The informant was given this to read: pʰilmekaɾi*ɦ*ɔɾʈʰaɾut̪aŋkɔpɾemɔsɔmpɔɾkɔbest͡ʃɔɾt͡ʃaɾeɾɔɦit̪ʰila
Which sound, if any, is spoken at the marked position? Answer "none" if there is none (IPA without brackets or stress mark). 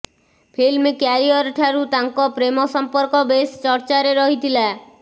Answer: none